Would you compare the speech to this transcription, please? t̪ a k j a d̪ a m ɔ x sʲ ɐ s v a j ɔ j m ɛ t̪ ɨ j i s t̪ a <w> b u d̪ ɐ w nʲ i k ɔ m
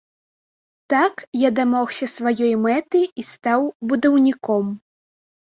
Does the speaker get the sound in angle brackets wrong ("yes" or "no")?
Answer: no